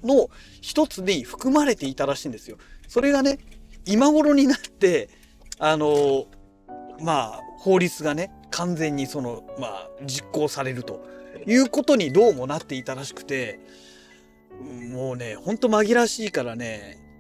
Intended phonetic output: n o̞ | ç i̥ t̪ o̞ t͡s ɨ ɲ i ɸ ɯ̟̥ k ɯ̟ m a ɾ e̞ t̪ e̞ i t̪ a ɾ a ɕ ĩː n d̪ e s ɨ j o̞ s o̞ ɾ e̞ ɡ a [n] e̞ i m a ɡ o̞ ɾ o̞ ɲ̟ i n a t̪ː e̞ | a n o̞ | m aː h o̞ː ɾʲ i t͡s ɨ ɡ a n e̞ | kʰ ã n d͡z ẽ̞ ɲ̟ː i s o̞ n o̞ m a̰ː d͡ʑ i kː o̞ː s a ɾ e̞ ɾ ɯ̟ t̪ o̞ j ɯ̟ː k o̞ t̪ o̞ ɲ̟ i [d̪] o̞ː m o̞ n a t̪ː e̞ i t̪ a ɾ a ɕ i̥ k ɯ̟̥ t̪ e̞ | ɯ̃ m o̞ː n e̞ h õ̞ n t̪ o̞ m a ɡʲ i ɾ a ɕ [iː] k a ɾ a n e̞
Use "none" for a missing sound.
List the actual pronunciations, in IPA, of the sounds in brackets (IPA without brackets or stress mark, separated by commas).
n, d̪, iː